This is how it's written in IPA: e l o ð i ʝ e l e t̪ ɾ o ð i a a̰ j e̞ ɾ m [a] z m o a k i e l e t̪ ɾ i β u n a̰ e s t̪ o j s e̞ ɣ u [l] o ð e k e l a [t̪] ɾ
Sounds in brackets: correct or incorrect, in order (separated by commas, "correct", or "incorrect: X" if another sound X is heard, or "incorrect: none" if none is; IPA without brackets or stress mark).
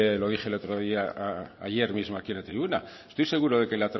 incorrect: i, incorrect: ɾ, correct